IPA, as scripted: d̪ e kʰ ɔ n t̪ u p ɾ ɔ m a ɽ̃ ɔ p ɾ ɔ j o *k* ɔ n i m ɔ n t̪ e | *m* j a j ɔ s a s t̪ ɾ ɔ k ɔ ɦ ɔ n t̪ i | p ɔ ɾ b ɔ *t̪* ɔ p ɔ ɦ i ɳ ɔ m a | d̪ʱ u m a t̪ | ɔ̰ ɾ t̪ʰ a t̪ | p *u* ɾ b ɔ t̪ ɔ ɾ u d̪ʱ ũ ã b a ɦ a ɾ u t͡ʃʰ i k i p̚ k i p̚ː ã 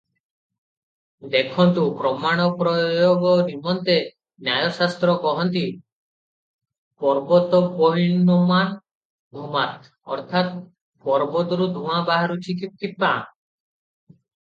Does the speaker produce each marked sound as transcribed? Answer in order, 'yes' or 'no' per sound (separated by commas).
no, no, yes, no